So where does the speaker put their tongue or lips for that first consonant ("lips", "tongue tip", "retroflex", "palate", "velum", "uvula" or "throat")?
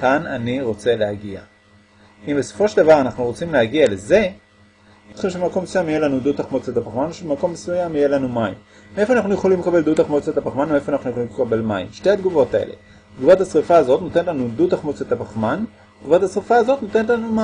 velum